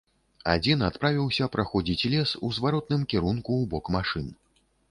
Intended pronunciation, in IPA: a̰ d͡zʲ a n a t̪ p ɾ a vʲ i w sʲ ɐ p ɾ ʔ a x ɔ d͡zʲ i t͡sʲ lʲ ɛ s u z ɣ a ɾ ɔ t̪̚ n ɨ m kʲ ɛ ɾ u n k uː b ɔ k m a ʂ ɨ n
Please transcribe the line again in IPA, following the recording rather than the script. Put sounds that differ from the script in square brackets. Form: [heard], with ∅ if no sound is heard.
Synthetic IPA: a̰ d͡zʲ [i] n a t̪ p ɾ a vʲ i w sʲ ɐ p ɾ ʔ a x ɔ d͡zʲ i t͡sʲ lʲ ɛ s u z [v] a ɾ ɔ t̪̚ n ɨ m kʲ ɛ ɾ u n k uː b ɔ k m a ʂ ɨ n